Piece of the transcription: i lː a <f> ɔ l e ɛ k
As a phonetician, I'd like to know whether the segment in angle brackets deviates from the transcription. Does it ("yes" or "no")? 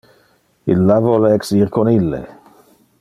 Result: yes